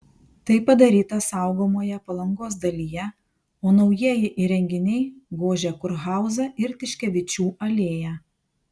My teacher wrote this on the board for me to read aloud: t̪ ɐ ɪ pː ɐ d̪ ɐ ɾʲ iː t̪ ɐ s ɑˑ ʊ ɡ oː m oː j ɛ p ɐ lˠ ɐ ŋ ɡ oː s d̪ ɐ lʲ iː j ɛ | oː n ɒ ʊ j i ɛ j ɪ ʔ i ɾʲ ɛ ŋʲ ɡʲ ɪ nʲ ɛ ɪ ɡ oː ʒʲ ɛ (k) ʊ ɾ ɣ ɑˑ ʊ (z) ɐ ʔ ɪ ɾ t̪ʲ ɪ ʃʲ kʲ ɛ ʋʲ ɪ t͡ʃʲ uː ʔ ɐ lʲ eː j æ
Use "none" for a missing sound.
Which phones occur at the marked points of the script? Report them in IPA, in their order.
k, z

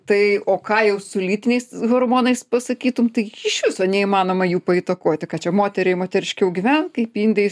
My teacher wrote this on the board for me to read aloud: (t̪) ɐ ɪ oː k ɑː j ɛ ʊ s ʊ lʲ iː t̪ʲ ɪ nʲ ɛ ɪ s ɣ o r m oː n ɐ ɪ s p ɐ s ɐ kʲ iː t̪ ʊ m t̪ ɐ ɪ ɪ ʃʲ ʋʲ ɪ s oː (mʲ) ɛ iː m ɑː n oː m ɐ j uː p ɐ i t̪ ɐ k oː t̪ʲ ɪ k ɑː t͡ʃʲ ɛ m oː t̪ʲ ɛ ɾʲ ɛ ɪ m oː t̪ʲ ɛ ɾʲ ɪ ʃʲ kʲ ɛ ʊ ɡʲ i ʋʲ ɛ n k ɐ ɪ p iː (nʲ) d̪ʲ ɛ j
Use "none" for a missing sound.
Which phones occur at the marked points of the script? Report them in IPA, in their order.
t̪, nʲ, nʲ

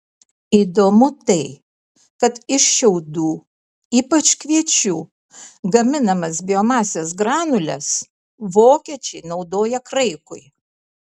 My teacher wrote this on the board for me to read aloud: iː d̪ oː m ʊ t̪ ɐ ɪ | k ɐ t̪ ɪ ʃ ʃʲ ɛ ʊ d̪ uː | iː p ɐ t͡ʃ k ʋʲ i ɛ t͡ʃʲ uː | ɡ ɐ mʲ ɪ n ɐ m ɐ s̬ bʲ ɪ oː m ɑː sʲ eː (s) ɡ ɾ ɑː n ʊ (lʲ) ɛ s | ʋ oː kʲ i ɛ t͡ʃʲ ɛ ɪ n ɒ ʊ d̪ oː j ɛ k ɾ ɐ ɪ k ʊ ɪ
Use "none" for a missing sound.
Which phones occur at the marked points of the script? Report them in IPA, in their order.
s, lʲ

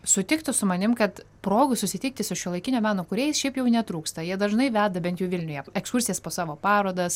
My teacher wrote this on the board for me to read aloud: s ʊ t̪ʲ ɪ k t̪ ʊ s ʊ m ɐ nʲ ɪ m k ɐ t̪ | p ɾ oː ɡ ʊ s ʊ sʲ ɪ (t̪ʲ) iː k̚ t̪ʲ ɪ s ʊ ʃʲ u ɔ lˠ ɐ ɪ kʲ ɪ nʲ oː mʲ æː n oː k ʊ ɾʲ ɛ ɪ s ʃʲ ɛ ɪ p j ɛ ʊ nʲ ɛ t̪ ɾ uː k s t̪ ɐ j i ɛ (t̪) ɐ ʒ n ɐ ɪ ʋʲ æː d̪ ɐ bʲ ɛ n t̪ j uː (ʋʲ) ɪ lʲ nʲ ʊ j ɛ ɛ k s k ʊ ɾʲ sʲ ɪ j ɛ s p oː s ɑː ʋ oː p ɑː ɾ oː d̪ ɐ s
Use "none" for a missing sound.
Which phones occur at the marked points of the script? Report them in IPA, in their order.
t̪ʲ, d̪, ʋʲ

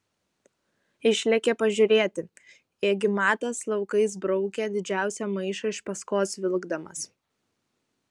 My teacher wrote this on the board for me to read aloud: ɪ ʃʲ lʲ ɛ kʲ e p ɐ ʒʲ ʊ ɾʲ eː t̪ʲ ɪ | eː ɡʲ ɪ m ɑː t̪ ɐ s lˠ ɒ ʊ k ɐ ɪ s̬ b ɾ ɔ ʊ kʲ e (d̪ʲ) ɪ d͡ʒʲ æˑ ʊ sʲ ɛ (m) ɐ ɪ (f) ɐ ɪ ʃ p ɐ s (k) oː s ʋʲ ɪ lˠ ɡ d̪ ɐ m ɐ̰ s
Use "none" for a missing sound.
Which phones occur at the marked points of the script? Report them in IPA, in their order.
d̪ʲ, m, ʃ, k

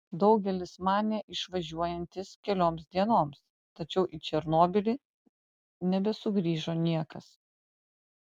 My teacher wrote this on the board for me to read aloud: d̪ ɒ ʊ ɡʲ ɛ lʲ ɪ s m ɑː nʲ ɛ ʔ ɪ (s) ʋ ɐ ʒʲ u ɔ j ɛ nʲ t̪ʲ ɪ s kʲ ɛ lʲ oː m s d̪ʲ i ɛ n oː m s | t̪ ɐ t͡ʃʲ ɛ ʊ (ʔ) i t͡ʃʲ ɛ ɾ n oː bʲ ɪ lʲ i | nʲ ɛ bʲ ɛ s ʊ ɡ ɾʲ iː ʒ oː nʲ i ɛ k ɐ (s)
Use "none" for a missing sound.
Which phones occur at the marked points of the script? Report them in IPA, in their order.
ʃ, ʔ, s

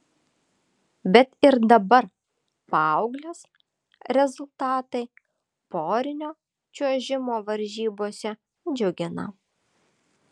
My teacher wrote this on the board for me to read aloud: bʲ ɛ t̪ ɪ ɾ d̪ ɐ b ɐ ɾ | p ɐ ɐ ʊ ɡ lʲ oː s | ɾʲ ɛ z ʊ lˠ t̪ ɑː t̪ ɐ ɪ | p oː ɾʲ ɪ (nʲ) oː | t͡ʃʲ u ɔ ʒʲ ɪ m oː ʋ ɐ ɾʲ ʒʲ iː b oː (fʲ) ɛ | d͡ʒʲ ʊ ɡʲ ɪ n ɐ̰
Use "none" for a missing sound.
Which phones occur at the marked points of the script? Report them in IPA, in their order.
nʲ, sʲ

